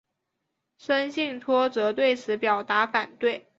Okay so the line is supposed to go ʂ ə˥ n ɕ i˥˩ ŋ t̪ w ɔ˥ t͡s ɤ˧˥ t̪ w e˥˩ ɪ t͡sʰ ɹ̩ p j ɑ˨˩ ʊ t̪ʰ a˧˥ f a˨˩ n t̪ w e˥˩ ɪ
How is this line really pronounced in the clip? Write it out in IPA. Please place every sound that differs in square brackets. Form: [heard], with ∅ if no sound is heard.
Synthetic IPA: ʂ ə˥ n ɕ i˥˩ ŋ [t̪ʰ] w ɔ˥ t͡s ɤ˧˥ t̪ w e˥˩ ɪ t͡sʰ ɹ̩ p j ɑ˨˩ ʊ [t̪] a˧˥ f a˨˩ n t̪ w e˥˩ ɪ